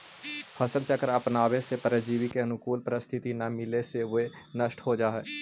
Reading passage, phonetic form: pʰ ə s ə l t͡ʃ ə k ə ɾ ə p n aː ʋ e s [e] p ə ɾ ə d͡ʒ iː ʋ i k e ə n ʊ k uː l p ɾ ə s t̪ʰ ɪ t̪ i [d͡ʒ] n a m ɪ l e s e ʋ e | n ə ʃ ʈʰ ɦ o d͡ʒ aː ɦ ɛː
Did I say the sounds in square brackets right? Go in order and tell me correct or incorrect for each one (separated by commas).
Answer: correct, incorrect